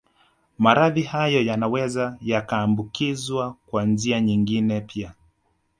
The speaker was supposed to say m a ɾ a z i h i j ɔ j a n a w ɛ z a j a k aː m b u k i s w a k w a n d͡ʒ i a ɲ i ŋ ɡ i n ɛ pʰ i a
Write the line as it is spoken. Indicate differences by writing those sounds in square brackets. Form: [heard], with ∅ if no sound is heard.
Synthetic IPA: m a ɾ a [ð] i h [a] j ɔ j a n a w ɛ z a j a k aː m b u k i [z] w a k w a n d͡ʒ i a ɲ i ŋ ɡ i n ɛ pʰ i a